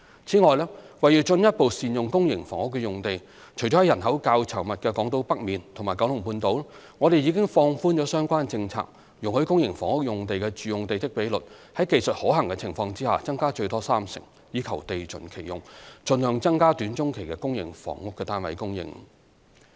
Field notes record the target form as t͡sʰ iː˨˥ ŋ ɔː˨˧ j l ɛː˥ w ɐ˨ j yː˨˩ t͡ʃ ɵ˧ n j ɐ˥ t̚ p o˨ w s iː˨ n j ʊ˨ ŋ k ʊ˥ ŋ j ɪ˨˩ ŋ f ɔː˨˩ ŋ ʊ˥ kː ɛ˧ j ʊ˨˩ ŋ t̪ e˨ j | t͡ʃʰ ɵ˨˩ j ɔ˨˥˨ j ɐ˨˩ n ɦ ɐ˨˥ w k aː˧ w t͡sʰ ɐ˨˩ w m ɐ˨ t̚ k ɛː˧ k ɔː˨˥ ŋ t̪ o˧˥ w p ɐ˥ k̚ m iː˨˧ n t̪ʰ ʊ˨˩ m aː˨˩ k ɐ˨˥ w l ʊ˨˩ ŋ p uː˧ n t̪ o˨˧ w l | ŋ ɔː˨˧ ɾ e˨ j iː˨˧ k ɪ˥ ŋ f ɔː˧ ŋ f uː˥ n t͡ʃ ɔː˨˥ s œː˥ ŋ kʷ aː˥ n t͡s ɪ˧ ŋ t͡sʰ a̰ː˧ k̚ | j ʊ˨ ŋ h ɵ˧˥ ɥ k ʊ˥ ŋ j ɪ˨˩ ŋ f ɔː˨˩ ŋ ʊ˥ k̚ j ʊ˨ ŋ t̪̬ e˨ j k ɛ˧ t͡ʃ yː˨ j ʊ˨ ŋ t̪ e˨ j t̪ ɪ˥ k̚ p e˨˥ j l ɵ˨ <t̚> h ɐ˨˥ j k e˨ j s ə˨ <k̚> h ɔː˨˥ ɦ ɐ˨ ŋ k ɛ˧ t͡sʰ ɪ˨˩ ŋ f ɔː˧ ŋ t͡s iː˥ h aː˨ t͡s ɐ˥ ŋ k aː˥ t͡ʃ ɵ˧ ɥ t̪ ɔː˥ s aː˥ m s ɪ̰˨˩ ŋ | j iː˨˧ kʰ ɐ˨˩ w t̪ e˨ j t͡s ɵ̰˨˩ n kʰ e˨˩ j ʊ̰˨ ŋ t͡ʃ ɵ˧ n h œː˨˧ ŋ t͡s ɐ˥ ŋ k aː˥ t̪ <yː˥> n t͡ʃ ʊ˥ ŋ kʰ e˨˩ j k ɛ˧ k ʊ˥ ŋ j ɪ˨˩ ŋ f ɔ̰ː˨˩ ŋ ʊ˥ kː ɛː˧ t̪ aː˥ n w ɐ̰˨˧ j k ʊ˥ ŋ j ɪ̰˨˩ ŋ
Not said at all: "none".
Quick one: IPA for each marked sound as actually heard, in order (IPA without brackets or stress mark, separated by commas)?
t̚, t̚, yː˨˥